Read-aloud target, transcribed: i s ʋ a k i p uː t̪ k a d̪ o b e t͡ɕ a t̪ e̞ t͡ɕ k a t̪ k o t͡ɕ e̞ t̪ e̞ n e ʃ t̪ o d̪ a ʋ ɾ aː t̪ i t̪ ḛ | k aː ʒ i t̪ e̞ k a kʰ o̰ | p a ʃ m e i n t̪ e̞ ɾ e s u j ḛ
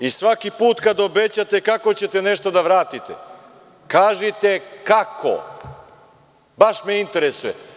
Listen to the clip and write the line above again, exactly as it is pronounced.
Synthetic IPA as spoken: i s ʋ a k i p uː t̪ k a d̪ o b e t͡ɕ a t̪ e̞ k a k o t͡ɕ e̞ t̪ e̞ n e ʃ t̪ o d̪ a ʋ ɾ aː t̪ i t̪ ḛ | k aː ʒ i t̪ e̞ k a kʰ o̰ | b a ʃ m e i n t̪ e̞ ɾ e s u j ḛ